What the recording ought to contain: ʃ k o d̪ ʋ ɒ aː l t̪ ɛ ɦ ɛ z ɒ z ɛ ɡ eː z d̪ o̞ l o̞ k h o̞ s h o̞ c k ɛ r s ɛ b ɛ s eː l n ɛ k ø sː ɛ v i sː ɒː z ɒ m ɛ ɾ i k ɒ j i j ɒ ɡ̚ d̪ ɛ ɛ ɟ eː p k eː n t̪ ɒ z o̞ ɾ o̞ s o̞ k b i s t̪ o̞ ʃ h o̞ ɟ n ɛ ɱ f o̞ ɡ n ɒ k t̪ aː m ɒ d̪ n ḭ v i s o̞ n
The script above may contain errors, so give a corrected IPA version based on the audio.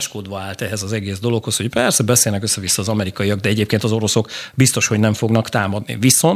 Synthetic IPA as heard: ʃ k o d̪ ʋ ɒ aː l t̪ ɛ ɦ ɛ z ɒ z ɛ ɡ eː z d̪ o̞ l o̞ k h o̞ s h o̞ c p ɛ r s ɛ b ɛ s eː l n ɛ k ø sː ɛ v i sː ɒː z ɒ m ɛ ɾ i k ɒ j i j ɒ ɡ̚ d̪ ɛ ɛ ɟ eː p k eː n t̪ ɒ z o̞ ɾ o̞ s o̞ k b i s t̪ o̞ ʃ h o̞ ɟ n ɛ ɱ f o̞ ɡ n ɒ k t̪ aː m ɒ d̪ n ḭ v i s o̞ n